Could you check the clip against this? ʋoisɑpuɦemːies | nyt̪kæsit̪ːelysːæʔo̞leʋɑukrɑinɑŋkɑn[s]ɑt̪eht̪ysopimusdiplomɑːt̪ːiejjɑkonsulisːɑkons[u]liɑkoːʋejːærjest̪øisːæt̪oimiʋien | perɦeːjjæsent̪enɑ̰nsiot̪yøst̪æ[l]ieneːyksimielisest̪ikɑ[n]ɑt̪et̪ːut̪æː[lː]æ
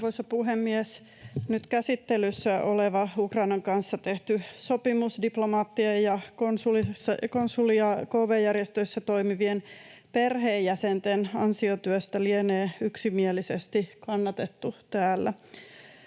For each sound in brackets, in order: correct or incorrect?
incorrect: sː, correct, correct, incorrect: nː, correct

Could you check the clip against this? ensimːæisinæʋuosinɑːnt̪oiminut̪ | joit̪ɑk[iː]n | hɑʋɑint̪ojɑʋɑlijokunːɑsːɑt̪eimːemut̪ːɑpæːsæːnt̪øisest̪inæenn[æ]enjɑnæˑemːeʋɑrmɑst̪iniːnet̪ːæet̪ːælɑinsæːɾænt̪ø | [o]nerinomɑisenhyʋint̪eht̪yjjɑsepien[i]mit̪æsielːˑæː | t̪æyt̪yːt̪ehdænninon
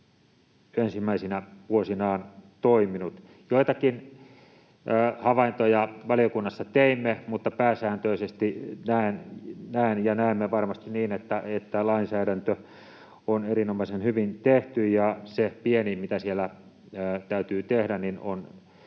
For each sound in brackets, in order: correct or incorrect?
incorrect: i, correct, correct, correct

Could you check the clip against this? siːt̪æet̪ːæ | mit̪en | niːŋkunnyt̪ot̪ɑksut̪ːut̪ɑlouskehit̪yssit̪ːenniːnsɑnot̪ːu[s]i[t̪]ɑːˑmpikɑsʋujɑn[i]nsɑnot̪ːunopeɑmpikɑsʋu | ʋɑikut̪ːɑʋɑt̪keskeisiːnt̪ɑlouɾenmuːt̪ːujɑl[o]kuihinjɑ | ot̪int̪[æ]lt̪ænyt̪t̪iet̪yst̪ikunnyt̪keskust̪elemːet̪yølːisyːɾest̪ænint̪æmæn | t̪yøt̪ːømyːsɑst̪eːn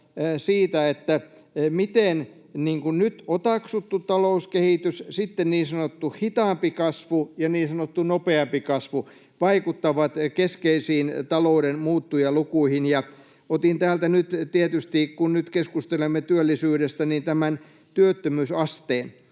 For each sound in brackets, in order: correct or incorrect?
incorrect: h, correct, incorrect: iː, incorrect: u, incorrect: æː

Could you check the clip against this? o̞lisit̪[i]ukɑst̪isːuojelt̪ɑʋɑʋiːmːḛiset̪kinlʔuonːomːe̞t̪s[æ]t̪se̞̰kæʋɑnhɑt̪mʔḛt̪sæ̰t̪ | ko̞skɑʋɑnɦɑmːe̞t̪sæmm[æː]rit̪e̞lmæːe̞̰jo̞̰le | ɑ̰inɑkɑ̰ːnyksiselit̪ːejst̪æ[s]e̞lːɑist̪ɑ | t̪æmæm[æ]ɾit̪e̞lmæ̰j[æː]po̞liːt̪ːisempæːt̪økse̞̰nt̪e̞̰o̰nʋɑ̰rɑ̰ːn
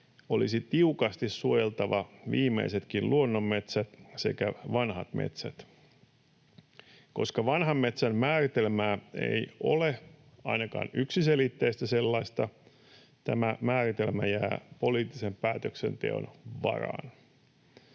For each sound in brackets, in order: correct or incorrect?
correct, correct, correct, correct, incorrect: æː, correct

